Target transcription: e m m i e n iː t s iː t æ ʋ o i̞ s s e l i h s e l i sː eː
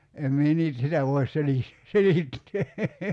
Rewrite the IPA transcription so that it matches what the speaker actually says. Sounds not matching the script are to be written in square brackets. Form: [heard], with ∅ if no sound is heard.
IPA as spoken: e m m i e n iː t s [i] t æ ʋ o i̞ s s e l i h s e l i [tː] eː